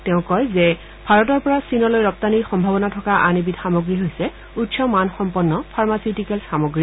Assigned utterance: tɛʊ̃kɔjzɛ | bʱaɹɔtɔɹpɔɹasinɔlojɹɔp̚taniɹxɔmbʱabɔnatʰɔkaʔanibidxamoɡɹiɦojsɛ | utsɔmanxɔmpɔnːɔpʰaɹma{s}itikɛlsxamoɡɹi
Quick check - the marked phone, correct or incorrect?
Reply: correct